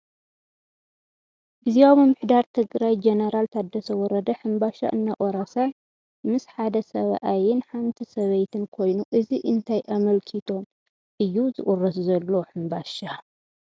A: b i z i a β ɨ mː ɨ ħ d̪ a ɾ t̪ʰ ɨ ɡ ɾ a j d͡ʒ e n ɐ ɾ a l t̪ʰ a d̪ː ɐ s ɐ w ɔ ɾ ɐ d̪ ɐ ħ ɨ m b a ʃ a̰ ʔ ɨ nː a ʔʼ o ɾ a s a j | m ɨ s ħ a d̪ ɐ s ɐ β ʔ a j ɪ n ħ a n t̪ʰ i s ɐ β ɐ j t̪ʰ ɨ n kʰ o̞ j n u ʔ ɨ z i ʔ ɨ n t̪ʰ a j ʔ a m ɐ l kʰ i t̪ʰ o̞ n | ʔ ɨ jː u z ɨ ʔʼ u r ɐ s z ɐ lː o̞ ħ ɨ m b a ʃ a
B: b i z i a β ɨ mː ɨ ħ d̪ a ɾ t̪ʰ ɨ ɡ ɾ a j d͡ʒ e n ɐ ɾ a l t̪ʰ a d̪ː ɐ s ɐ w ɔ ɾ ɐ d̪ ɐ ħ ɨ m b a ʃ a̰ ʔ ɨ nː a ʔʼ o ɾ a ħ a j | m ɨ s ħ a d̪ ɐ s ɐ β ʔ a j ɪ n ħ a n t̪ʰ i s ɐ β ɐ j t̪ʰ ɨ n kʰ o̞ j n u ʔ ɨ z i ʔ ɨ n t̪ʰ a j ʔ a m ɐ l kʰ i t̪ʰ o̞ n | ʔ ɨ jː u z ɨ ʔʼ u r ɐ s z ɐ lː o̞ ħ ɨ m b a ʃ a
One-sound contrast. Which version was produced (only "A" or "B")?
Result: A